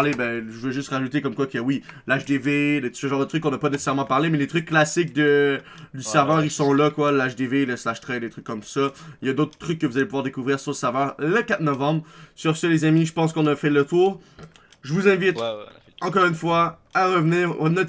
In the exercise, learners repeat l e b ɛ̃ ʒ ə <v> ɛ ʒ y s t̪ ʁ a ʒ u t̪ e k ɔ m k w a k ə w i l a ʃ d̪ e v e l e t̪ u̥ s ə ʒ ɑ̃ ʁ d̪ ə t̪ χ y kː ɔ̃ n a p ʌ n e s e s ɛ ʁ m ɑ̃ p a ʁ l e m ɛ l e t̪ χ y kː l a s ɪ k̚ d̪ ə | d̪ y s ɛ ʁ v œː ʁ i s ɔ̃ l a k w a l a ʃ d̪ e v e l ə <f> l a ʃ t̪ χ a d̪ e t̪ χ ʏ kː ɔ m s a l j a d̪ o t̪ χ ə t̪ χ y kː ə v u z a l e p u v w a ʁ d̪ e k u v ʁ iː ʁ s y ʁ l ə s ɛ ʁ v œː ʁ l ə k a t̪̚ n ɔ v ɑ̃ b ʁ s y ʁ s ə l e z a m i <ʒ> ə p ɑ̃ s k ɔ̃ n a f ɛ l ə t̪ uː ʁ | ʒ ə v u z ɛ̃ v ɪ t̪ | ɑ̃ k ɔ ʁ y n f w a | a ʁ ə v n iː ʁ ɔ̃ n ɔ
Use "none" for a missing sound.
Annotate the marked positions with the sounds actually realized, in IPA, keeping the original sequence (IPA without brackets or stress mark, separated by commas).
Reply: v, s, ʒ